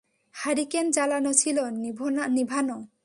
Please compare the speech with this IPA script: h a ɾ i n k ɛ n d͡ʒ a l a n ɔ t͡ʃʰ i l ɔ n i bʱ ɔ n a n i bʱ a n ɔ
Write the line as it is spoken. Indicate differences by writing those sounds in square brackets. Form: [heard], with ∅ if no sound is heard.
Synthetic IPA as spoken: h a ɾ i [∅] k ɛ n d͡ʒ a l a n ɔ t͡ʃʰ i l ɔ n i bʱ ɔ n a n i bʱ a n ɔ